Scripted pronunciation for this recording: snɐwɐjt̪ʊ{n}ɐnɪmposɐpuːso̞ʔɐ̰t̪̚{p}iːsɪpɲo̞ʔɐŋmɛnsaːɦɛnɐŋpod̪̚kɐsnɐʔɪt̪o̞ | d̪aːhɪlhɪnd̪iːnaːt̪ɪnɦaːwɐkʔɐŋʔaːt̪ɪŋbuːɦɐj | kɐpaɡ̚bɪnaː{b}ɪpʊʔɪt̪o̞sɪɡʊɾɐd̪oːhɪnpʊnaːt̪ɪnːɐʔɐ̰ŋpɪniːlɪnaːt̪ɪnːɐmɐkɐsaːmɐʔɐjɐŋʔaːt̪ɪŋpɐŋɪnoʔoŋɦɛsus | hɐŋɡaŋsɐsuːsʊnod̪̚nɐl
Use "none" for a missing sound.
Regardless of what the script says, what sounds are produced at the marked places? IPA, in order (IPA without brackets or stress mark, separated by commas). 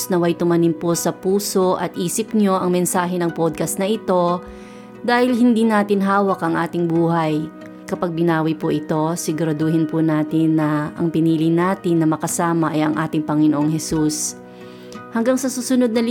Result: m, ʔ, w